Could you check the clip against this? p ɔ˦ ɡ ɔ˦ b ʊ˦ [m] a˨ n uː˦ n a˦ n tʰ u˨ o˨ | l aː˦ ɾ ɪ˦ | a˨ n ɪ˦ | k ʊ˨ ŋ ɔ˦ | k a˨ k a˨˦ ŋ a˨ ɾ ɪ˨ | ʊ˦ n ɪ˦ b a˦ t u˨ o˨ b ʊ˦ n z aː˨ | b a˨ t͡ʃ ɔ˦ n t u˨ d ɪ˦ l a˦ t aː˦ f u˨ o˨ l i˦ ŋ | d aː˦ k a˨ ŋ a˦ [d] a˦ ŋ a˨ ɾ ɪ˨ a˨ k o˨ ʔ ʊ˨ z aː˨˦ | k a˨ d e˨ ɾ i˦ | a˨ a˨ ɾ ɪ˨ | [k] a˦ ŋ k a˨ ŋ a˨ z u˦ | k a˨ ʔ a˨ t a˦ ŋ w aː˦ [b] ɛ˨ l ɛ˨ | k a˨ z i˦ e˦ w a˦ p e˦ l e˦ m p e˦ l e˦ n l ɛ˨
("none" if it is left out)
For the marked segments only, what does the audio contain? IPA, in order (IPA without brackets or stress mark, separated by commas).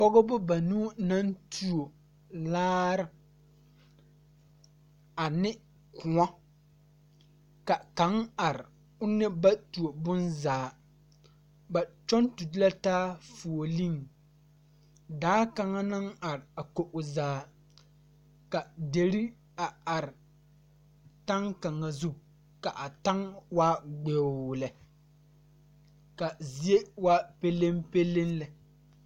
b, n, t, ɡ͡b